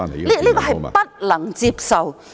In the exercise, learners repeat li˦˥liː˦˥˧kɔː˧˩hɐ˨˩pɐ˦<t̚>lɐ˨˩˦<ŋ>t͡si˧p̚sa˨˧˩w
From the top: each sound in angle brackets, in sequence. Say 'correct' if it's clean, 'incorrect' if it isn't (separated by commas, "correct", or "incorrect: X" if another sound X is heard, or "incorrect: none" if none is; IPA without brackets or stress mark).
correct, correct